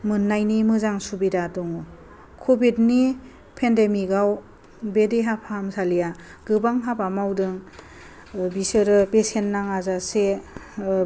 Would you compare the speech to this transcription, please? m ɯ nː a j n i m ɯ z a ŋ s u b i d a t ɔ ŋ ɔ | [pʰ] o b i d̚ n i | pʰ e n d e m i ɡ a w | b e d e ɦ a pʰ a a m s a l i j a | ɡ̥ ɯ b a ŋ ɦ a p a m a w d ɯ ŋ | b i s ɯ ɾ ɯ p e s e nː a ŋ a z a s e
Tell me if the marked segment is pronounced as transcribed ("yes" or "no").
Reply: no